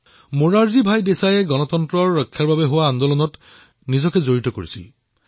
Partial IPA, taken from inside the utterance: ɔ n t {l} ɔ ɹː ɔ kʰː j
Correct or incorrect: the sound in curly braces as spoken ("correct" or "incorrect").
incorrect